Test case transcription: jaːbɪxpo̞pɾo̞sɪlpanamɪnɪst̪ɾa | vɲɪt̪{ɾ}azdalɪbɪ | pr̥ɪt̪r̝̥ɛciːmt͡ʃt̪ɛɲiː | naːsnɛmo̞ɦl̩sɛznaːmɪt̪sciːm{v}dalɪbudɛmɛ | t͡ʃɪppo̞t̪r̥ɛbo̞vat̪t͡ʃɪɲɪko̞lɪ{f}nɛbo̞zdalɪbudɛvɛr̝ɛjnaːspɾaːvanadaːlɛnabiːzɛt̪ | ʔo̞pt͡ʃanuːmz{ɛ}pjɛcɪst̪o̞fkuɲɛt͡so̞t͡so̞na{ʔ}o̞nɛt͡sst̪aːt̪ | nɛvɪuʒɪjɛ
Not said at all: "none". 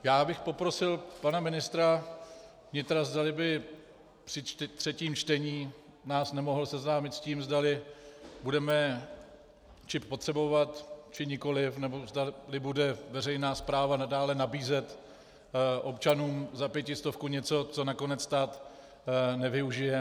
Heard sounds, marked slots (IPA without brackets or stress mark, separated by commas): ɾ, z, f, a, k